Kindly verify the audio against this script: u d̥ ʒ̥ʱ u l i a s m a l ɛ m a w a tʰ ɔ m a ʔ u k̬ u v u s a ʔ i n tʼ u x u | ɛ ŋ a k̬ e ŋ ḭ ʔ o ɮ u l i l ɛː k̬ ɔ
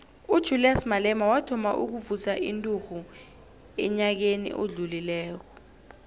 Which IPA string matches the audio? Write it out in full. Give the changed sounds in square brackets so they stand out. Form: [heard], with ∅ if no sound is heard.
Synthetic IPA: u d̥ ʒ̥ʱ u l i a s m a l ɛ m a w a tʰ ɔ m a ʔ u k̬ u v u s a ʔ i n tʼ u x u | ɛ [ɲ] a k̬ e [n] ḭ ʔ o ɮ u l i l ɛː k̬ ɔ